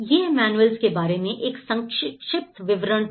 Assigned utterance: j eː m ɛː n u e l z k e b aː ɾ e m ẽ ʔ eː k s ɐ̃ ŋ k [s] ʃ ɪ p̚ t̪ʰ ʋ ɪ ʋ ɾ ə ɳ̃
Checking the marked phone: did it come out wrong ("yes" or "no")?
yes